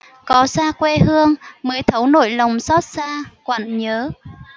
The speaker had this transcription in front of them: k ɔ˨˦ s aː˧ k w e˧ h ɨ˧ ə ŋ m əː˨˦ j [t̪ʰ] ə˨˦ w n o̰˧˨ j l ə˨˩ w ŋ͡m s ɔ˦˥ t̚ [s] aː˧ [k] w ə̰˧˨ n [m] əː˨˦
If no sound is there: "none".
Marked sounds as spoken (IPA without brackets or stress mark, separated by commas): t̪ʰ, s, k, ɲ